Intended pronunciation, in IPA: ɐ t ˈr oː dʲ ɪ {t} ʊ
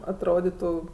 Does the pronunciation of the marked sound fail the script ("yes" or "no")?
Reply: no